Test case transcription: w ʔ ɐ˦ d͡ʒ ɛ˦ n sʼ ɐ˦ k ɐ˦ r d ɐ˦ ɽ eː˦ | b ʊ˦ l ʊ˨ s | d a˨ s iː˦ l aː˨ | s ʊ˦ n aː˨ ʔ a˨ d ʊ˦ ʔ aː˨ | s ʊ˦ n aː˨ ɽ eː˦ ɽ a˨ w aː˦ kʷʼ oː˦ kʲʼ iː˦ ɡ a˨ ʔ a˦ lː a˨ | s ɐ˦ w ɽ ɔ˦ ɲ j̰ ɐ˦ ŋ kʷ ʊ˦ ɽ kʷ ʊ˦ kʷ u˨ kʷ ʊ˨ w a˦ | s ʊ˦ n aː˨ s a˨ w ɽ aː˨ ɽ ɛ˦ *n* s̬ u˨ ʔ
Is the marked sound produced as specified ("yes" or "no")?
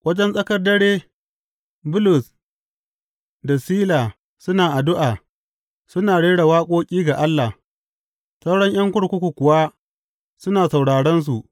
yes